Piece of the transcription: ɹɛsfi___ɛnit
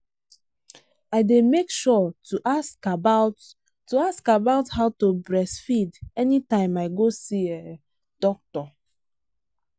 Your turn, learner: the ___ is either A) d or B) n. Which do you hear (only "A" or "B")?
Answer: A